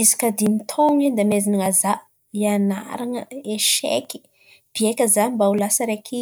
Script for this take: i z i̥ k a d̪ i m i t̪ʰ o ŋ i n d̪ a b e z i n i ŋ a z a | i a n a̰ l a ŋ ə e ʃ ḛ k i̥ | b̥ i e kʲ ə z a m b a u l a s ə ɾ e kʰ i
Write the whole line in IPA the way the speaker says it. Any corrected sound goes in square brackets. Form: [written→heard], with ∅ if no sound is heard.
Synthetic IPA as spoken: i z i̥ k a d̪ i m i t̪ʰ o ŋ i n d̪ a [b→m] e z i n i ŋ a z a | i a n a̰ [l→ɾ] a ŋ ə e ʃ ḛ k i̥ | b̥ i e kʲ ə z a m b a u l a s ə ɾ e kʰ i

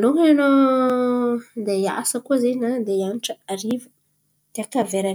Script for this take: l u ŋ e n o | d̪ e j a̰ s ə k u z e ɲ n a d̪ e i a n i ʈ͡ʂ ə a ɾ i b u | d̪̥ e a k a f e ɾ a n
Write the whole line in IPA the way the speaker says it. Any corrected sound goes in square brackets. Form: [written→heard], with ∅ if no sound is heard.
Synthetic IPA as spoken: l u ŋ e n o | d̪ e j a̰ s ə k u z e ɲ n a d̪ e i a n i ʈ͡ʂ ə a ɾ i [b→v] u | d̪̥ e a k a [f→v] e ɾ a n

